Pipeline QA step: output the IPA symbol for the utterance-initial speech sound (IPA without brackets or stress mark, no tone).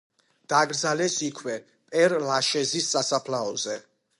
d̪̥